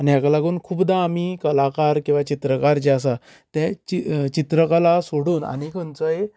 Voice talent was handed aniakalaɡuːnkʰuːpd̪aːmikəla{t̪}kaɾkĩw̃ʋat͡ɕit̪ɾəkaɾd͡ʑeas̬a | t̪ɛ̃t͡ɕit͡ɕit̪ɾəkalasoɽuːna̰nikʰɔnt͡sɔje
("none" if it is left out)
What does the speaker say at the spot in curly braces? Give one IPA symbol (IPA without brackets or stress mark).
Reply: none